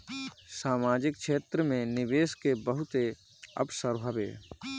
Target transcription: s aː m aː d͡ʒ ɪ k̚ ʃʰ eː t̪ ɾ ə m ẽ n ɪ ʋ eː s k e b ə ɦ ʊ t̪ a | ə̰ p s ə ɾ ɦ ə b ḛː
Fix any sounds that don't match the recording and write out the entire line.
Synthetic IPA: s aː m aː d͡ʒ ɪ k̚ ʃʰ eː t̪ ɾ ə m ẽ n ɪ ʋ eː s k e b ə ɦ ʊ t̪ e | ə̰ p s ə ɾ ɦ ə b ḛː